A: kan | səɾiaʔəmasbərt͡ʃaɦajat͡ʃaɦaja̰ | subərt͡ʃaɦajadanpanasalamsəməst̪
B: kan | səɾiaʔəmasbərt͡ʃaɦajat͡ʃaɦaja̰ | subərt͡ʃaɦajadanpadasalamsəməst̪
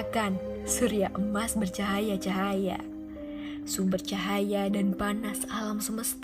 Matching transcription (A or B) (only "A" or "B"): A